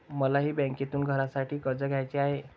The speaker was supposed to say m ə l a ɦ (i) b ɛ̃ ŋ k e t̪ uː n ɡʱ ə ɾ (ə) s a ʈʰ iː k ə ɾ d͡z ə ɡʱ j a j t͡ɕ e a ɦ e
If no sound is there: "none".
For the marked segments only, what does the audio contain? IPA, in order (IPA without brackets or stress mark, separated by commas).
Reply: iː, a